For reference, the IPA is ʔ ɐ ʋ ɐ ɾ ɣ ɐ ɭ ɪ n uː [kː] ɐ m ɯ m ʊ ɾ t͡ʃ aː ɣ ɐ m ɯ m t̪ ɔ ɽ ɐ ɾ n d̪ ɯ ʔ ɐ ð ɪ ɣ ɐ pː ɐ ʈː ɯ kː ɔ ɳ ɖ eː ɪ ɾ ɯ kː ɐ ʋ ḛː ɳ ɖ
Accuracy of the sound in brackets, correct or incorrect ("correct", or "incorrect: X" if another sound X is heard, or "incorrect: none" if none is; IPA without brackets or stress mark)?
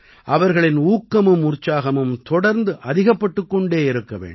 correct